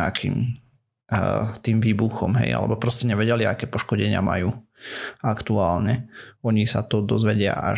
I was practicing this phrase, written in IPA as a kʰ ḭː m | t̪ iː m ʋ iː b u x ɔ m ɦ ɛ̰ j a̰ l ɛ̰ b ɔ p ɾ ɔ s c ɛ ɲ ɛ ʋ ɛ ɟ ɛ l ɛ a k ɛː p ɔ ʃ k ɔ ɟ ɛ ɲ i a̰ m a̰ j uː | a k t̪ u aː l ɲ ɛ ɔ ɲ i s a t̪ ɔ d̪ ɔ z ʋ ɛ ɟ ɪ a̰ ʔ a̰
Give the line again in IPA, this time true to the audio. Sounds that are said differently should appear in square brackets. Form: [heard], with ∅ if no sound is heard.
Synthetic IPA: a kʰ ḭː m | t̪ iː m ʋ iː b u x ɔ m ɦ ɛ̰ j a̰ l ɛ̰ b ɔ p ɾ ɔ s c ɛ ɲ ɛ ʋ ɛ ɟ ɛ l [i] a k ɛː p ɔ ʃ k ɔ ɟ ɛ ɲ [ɪ] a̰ m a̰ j uː | a k t̪ u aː l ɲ ɛ ɔ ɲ i s a t̪ ɔ d̪ ɔ z ʋ ɛ ɟ ɪ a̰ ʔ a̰